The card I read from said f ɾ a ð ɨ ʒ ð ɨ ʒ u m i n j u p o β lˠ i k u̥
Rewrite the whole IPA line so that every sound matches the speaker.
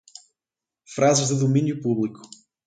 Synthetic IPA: f ɾ a z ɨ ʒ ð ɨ ð u m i n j u p u β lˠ i k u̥